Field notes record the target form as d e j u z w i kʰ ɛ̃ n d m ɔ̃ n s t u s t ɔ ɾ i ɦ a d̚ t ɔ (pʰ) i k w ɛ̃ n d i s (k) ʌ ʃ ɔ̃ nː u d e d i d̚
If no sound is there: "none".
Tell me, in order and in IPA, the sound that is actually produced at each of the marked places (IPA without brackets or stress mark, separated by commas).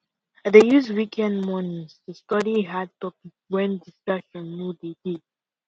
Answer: p, k